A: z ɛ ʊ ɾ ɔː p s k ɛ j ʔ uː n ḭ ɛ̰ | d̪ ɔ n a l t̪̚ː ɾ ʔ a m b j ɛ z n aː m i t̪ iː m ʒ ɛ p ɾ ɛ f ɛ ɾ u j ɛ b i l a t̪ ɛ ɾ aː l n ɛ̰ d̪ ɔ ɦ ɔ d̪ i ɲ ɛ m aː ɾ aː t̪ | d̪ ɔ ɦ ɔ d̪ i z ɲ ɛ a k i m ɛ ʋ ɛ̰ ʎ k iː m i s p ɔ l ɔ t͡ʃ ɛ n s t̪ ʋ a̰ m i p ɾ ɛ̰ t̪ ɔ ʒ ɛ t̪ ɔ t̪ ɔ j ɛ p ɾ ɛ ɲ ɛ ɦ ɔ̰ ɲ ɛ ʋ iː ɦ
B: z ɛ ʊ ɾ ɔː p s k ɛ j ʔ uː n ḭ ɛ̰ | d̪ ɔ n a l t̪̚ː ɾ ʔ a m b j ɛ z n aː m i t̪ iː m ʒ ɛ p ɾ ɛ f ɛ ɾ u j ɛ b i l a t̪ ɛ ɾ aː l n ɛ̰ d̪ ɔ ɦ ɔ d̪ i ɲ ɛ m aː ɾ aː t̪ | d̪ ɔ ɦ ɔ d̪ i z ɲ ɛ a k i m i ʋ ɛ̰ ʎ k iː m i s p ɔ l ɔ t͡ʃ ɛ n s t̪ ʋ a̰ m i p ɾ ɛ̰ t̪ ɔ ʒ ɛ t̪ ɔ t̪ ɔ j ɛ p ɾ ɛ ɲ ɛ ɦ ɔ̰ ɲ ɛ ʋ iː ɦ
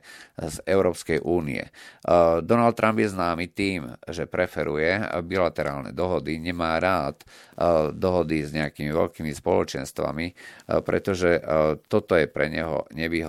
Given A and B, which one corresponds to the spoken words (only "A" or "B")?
B